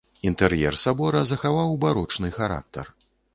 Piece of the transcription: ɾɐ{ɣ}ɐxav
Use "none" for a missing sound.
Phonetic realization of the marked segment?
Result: z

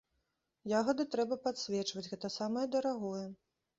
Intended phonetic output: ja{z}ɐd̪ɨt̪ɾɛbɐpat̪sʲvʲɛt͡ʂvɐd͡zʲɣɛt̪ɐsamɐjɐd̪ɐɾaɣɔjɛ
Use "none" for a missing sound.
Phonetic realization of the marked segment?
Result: ɣ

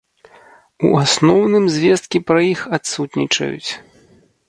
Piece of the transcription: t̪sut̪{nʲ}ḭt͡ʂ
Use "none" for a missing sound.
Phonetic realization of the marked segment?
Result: nʲ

